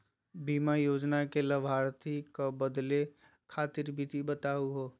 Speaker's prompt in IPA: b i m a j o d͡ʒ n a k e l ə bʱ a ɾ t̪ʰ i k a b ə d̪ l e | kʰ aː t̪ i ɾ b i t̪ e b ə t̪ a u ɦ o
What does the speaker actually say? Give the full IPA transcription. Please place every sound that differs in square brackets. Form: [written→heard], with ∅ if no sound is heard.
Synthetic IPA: b i m a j o d͡ʒ n a k e l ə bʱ a ɾ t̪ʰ i k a b ə d̪ l e | kʰ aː t̪ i ɾ b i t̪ [e→i] b ə t̪ a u ɦ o

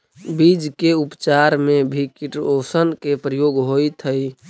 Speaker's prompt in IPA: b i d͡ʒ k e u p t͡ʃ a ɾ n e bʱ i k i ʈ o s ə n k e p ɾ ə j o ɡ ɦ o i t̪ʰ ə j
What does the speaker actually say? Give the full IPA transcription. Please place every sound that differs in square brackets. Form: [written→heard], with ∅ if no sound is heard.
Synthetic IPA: b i d͡ʒ k e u p t͡ʃ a ɾ [n→m] e bʱ i k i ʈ o s ə n k e p ɾ ə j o ɡ ɦ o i t̪ʰ ə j

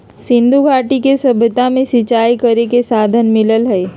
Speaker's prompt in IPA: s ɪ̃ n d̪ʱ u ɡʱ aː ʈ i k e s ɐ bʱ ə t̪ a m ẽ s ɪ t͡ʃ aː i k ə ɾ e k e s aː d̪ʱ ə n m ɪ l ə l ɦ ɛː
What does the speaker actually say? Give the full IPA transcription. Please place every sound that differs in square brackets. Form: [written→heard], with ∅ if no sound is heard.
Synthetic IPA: s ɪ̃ n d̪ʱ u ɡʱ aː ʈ i k e s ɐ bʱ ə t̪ a m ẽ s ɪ t͡ʃ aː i k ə ɾ e k e s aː d̪ʱ ə n m ɪ l ə l ɦ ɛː

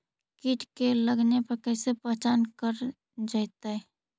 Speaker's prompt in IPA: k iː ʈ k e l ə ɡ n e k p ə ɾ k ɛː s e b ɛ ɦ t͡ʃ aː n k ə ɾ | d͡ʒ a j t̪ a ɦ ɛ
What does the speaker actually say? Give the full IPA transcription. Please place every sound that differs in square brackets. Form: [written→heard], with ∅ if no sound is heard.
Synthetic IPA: k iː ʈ k e l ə ɡ n e [k→∅] p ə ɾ k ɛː s e [b→p] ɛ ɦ t͡ʃ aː n k ə ɾ | d͡ʒ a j t̪ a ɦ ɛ

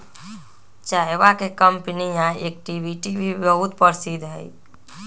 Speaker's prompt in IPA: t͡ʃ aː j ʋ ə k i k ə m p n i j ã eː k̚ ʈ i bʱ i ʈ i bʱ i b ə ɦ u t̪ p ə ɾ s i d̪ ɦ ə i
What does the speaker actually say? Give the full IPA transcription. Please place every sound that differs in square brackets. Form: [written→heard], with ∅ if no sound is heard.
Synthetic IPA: t͡ʃ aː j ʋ [ə→a] k [i→e] k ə m p n i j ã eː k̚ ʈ i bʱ i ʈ i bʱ i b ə ɦ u t̪ p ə ɾ s i d̪ ɦ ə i

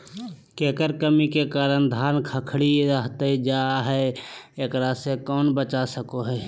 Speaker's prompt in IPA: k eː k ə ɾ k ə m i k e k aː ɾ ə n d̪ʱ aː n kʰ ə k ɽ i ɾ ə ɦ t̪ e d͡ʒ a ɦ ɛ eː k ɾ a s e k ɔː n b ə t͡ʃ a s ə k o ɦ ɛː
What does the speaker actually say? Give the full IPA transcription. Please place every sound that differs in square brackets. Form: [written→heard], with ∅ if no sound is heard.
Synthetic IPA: k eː k ə ɾ k ə m i k e k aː ɾ ə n d̪ʱ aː n kʰ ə [k→kʰ] ɽ i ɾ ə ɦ t̪ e d͡ʒ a ɦ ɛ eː k ɾ a s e k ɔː n b ə t͡ʃ a s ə k o ɦ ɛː

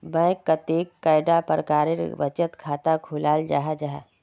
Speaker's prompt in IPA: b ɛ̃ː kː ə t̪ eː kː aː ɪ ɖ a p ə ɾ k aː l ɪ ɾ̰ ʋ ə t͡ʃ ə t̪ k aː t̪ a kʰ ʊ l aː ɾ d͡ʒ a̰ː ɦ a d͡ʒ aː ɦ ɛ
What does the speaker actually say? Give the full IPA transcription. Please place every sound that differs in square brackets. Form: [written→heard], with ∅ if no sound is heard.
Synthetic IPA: b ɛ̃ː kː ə t̪ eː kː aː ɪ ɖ a p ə ɾ k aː [l→ɾ] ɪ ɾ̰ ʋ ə t͡ʃ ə t̪ [k→kʰ] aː t̪ a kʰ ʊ l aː [ɾ→l] d͡ʒ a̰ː ɦ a d͡ʒ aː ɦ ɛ

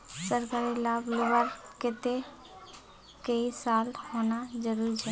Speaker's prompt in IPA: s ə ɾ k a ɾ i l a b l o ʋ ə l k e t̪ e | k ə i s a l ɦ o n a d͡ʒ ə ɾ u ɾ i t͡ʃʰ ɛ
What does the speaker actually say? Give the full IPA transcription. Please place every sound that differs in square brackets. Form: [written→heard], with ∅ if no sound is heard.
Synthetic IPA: s ə ɾ k a ɾ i l a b l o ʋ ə [l→ɾ] k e t̪ e | k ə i s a l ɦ o n a d͡ʒ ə ɾ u ɾ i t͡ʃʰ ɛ

